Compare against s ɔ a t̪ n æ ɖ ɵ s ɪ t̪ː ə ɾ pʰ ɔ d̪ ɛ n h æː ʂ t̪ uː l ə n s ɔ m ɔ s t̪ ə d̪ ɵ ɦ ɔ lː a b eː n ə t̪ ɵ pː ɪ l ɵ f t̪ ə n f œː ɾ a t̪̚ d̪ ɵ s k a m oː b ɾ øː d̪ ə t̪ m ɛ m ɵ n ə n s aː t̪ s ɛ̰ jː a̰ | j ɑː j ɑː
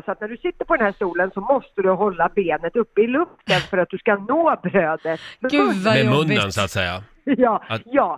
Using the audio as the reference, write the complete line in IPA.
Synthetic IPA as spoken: s ɔ a t̪ n æ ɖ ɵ s ɪ t̪ː ə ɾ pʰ ɔ d̪ ɛ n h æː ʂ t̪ uː l ə n s ɔ m ɔ s t̪ ə d̪ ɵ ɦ ɔ lː a b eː n ə t̪ ɵ pː ɪ l ɵ f t̪ ə n f œ ɾ a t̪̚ d̪ ɵ s k a n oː b ɾ øː d̪ ə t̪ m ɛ m ɵ n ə n s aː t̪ s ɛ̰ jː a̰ | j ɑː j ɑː